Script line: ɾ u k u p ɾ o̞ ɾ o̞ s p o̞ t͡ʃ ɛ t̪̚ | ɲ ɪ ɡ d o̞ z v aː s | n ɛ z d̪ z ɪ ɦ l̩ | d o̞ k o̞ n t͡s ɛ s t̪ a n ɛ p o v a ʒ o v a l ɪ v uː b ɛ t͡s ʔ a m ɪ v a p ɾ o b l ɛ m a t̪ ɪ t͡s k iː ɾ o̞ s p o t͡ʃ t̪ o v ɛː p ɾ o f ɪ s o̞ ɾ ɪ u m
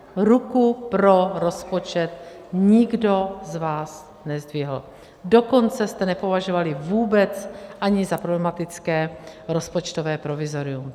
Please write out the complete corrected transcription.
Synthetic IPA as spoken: ɾ u k u p ɾ o̞ ɾ o̞ s p o̞ t͡ʃ ɛ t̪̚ | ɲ ɪ ɡ d o̞ z v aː s | n ɛ z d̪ v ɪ ɦ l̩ | d o̞ k o̞ n t͡s ɛ s t̪ ɛ n ɛ p o v a ʒ o v a l ɪ v uː b ɛ t͡s ʔ a ɲ ɪ z a p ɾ o b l ɛ m a t̪ ɪ t͡s k ɛː ɾ o̞ s p o t͡ʃ t̪ o v ɛː p ɾ o v ɪ z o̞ ɾ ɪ u m